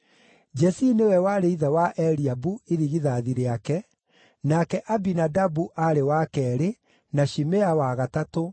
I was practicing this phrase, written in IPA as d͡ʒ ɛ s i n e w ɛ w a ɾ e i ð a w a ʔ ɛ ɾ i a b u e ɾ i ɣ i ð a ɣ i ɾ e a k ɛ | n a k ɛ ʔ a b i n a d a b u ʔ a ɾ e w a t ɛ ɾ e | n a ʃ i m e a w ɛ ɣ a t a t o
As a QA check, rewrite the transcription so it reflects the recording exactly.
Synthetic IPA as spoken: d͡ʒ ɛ s i n e w ɛ w a ɾ e i ð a w a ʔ ɛ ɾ i a b u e ɾ i ɣ i ð a ð i ɾ e a k ɛ | n a k ɛ ʔ a b i n a d a b u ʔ a ɾ e w a k ɛ ɾ e | n a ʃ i m e a w a ɣ a t a t o